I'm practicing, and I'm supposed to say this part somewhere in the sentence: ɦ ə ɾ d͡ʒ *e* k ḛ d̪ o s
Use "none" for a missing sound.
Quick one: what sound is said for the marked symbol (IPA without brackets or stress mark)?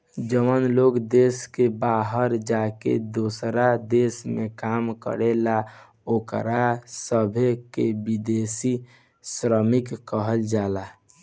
a